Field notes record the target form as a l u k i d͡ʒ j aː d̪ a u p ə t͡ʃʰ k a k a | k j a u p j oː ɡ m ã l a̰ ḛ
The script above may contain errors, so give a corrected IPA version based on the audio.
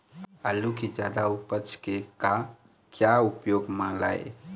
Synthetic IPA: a l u k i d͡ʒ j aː d̪ a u p ə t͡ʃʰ k e k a | k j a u p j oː ɡ m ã l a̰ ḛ